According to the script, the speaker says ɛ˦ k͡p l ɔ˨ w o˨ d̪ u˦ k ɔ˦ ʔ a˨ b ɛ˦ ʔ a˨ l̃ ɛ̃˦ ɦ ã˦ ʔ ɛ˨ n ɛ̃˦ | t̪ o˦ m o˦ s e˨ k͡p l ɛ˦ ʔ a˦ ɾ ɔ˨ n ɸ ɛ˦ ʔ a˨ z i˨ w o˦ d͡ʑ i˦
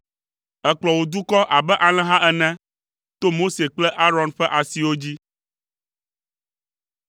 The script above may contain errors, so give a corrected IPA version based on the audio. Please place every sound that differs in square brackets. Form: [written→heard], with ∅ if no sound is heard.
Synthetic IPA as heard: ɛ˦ k͡p l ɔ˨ w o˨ d̪ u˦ k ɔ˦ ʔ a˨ b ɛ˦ ʔ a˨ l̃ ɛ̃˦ ɦ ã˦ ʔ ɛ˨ n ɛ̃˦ | t̪ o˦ m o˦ s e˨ k͡p l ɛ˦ ʔ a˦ ɾ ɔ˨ n ɸ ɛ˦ ʔ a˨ [z→s] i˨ w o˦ d͡ʑ i˦